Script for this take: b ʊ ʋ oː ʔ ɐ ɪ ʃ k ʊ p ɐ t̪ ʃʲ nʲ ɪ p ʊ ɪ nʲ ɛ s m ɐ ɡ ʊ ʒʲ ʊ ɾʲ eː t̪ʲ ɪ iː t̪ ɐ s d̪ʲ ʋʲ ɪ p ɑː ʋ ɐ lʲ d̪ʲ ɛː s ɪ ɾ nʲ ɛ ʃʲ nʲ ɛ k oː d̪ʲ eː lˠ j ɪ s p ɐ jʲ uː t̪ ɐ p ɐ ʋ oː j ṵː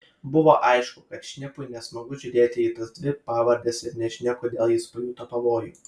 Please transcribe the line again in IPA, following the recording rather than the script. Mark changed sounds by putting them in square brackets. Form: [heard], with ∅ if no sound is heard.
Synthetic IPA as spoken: b ʊ ʋ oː ʔ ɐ ɪ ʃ k ʊ [k] ɐ t̪ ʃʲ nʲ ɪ p ʊ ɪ nʲ ɛ s m ɐ ɡ ʊ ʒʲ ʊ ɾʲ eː t̪ʲ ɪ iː t̪ ɐ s d̪ʲ ʋʲ ɪ p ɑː ʋ ɐ [ɾʲ] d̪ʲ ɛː s ɪ ɾ nʲ ɛ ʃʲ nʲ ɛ k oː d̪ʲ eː lˠ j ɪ s p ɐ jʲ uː t̪ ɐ p ɐ ʋ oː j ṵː

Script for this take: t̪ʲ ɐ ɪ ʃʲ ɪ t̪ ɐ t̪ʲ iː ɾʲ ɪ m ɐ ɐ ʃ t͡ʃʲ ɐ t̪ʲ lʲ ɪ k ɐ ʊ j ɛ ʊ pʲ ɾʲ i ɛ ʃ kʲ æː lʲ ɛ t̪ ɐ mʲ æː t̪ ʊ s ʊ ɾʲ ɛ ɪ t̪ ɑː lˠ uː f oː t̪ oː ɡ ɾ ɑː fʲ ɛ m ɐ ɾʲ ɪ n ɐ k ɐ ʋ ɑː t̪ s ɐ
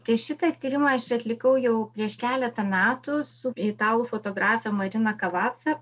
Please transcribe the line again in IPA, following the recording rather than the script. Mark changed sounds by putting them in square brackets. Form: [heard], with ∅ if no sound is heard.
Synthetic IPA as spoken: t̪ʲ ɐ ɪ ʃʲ ɪ t̪ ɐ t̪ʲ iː ɾʲ ɪ m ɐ ɐ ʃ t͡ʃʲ ɐ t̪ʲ lʲ ɪ k ɐ ʊ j ɛ ʊ pʲ ɾʲ i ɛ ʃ kʲ æː lʲ ɛ t̪ ɐ mʲ æː t̪ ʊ s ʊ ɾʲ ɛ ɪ t̪ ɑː lˠ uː f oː t̪ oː ɡ ɾ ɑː fʲ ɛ m ɐ ɾʲ ɪ n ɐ k ɐ ʋ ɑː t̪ s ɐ

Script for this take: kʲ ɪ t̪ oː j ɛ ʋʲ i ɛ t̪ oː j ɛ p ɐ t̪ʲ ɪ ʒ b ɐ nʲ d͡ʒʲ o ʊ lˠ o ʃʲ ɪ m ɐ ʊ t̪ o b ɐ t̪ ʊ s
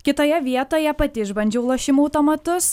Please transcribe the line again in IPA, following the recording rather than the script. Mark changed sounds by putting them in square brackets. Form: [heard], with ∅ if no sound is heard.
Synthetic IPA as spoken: kʲ ɪ t̪ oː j ɛ ʋʲ i ɛ t̪ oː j ɛ p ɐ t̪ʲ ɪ ʒ b ɐ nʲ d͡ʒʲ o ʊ lˠ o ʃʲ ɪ m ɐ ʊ t̪ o [m] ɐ t̪ ʊ s

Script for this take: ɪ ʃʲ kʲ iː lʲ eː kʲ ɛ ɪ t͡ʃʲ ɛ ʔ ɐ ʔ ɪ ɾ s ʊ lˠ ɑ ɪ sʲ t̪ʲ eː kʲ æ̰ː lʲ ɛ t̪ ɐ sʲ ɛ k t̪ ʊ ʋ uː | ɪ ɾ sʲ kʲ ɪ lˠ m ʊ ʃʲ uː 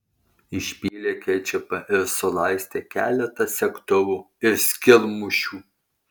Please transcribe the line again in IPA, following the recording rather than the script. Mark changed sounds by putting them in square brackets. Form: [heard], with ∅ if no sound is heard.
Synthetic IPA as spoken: ɪ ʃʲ [pʲ] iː lʲ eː kʲ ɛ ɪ t͡ʃʲ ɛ [p] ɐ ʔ ɪ ɾ s ʊ lˠ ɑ ɪ sʲ t̪ʲ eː kʲ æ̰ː lʲ ɛ t̪ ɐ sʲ ɛ k t̪ ʊ ʋ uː | ɪ ɾ sʲ kʲ ɪ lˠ m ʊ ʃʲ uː

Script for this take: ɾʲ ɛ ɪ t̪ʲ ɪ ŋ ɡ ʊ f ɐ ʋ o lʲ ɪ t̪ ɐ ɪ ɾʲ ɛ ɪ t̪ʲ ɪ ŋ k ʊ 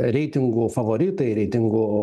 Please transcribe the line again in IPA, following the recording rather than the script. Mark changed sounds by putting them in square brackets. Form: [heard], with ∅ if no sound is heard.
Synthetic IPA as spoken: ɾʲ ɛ ɪ t̪ʲ ɪ ŋ ɡ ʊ f ɐ ʋ o [ɾʲ] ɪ t̪ ɐ ɪ ɾʲ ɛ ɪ t̪ʲ ɪ ŋ [ɡ] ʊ

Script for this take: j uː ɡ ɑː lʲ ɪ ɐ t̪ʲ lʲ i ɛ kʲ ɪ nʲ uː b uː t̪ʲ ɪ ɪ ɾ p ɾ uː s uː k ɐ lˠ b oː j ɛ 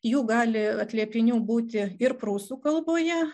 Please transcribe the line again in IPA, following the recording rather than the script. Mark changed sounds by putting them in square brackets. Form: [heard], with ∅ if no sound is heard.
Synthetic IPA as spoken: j uː ɡ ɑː lʲ ɪ ɐ t̪ʲ lʲ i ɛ [pʲ] ɪ nʲ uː b uː t̪ʲ ɪ ɪ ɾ p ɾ uː s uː k ɐ lˠ b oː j ɛ

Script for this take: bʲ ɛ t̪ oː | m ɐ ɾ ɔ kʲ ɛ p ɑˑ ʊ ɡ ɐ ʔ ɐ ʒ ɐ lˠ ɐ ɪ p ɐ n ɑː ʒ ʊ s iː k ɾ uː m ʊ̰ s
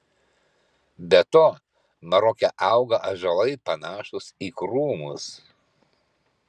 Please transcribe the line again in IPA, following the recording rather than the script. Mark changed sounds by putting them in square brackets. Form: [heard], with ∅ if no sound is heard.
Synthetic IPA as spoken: bʲ ɛ t̪ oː | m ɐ ɾ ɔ kʲ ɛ [ʔ] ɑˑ ʊ ɡ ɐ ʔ ɐ ʒ ɐ lˠ ɐ ɪ p ɐ n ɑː [ʃ] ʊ s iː k ɾ uː m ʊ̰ s

